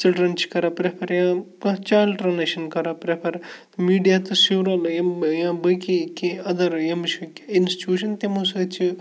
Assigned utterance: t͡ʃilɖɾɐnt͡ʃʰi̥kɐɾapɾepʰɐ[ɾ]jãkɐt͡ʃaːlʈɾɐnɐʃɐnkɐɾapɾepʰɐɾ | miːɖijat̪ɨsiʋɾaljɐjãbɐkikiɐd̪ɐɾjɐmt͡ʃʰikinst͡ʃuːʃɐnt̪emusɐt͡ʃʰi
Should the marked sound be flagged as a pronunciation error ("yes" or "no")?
no